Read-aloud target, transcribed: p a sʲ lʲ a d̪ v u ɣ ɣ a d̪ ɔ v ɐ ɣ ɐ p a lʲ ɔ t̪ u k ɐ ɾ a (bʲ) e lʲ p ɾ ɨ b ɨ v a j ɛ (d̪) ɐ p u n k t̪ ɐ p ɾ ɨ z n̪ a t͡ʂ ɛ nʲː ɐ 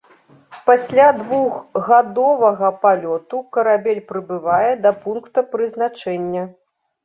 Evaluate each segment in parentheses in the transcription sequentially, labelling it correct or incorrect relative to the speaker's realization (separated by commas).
correct, correct